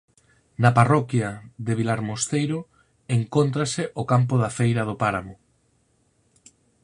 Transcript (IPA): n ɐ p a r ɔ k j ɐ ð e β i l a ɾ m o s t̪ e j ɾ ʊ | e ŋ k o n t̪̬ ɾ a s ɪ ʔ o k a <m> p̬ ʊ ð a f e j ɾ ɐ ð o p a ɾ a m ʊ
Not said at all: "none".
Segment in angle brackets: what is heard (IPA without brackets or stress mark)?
m